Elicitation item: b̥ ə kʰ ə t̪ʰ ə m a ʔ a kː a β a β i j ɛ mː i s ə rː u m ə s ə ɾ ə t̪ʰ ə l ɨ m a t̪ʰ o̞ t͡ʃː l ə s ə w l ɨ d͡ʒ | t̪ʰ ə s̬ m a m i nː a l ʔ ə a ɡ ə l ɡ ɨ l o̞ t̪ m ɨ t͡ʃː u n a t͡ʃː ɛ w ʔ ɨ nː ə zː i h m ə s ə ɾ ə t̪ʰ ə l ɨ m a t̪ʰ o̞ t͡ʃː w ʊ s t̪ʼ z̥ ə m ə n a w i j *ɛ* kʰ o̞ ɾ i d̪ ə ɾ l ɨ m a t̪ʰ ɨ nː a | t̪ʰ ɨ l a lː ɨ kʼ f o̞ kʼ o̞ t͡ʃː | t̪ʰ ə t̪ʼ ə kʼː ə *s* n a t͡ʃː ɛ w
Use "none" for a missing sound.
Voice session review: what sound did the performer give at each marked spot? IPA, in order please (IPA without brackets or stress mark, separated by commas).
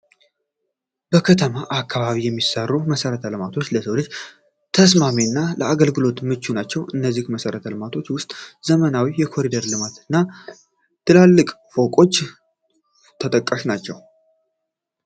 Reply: ɛ, ʃ